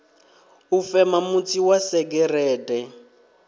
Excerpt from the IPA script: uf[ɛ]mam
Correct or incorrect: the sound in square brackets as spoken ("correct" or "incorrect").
correct